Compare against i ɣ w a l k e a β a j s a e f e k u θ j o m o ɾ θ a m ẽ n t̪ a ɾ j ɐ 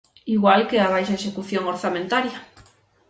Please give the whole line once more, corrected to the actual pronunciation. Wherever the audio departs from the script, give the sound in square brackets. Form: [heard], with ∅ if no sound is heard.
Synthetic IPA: i ɣ w a l k e a β a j [ʃ] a e [ʃ] e k u θ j o [ŋ] o ɾ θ a m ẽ n t̪ a ɾ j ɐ